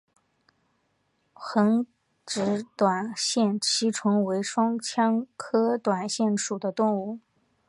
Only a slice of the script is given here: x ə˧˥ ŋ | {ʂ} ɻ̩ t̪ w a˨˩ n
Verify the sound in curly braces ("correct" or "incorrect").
incorrect